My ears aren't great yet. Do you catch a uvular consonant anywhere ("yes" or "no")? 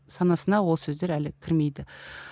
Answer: no